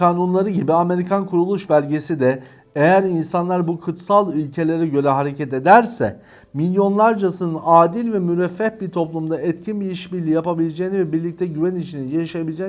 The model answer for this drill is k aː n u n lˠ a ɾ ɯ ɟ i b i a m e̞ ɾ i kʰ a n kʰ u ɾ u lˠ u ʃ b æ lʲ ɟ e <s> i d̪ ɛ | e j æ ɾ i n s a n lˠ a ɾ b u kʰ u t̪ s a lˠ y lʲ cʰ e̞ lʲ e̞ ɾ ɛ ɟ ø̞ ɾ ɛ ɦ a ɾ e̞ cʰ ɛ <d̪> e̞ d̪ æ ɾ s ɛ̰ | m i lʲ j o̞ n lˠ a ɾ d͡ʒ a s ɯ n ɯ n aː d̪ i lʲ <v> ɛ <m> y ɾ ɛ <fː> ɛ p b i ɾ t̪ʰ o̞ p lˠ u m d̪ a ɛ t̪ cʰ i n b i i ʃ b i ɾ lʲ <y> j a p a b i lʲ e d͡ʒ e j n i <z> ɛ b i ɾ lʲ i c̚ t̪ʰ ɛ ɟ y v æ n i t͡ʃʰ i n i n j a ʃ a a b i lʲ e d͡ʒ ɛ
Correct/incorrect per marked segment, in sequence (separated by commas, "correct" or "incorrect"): correct, incorrect, correct, correct, correct, incorrect, incorrect